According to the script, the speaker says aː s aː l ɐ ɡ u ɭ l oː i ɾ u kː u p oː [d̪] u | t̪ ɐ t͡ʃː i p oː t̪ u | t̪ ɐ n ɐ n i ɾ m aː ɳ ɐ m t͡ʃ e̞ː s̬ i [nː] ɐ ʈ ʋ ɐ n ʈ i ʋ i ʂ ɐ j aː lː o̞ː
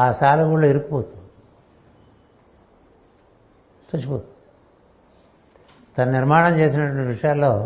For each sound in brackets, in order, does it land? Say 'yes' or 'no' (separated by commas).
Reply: no, no